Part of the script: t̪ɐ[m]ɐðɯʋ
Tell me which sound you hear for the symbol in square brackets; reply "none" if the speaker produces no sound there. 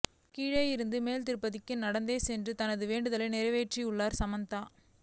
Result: n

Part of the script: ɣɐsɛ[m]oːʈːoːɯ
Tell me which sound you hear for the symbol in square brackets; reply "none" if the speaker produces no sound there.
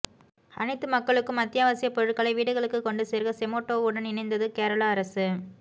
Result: m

